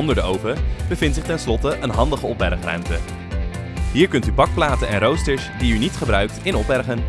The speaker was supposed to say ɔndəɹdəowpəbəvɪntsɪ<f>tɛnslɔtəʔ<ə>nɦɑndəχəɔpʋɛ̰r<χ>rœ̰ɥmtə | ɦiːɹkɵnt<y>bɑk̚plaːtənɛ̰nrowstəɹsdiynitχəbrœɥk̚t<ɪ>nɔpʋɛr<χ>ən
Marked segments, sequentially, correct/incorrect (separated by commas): incorrect, correct, correct, correct, correct, correct